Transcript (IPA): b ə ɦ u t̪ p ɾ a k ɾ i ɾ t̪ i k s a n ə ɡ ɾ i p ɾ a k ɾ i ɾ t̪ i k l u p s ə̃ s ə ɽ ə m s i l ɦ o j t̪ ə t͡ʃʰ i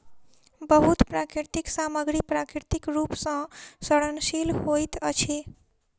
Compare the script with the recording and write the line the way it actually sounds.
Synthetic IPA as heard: b ə ɦ u t̪ p ɾ a k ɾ i ɾ t̪ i k s a m ə ɡ ɾ i p ɾ a k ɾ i ɾ t̪ i k ɾ u p s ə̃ s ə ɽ ə n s i l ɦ o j t̪ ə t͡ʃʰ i